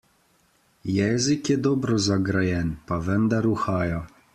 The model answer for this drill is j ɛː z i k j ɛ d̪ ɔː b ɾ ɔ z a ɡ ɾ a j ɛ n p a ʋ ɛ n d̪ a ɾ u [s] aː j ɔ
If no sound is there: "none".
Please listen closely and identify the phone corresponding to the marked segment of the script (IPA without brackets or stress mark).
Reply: x